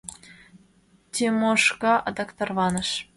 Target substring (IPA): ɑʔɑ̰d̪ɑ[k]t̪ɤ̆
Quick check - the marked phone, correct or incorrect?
correct